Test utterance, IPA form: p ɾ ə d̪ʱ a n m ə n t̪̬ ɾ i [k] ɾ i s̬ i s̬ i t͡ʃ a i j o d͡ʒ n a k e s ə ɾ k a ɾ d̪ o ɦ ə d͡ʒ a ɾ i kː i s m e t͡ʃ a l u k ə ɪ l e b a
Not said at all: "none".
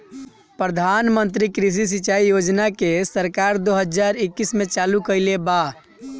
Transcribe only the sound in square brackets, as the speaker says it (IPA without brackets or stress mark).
k